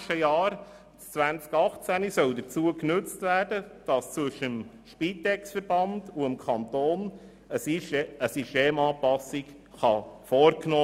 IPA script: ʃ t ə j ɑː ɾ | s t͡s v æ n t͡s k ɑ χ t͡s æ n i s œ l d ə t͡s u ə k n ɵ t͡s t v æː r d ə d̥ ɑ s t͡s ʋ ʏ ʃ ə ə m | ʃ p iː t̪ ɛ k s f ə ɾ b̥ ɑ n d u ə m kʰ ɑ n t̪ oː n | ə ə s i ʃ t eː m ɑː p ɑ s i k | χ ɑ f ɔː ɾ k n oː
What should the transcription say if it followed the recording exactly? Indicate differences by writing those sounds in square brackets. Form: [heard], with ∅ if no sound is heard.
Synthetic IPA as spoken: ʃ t ə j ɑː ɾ | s t͡s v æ n t͡s k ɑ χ t͡s æ n i s œ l d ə t͡s u ə k n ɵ t͡s t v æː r d ə d̥ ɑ s t͡s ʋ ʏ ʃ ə ə m | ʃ p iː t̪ ɛ k s f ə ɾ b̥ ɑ n d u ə m kʰ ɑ n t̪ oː n | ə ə s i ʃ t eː m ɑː p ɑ s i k | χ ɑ f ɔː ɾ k n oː